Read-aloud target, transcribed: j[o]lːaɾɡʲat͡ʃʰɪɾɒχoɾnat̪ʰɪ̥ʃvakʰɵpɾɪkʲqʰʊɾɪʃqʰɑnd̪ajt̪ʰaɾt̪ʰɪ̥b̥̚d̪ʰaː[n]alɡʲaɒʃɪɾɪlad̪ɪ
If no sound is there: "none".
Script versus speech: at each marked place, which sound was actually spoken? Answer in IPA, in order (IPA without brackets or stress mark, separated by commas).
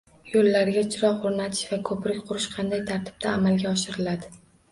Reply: o, m